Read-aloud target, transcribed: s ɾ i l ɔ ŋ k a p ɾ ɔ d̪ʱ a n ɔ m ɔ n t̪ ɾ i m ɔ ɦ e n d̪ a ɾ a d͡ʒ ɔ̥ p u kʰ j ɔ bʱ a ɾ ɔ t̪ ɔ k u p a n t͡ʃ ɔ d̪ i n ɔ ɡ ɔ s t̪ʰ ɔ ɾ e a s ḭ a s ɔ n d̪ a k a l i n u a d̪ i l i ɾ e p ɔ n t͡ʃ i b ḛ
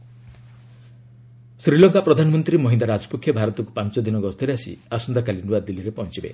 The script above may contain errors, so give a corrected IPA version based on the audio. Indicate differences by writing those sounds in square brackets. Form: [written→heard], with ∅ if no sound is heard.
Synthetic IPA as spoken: s ɾ i l ɔ ŋ k a p ɾ ɔ d̪ʱ a n ɔ m ɔ n t̪ ɾ i m ɔ ɦ [e→i] n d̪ a ɾ a d͡ʒ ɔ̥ p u kʰ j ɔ bʱ a ɾ ɔ t̪ ɔ k u p a n t͡ʃ ɔ d̪ i n ɔ ɡ ɔ s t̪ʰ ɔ ɾ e a s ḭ a s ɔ n d̪ a k a l i n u a d̪ i l i ɾ e p ɔ n t͡ʃ i b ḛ